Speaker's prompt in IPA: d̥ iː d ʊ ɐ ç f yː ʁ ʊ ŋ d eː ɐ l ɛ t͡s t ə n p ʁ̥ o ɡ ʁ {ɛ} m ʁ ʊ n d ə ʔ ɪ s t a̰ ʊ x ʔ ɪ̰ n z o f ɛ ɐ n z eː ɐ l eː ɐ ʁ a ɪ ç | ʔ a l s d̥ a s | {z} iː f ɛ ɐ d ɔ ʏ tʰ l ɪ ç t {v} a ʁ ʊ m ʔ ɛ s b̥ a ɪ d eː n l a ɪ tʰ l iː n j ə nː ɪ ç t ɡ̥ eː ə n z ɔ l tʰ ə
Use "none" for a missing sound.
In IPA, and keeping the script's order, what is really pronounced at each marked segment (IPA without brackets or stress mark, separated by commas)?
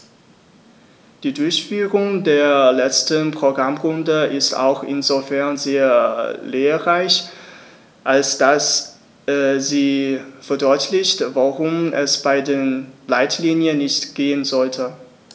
a, z, v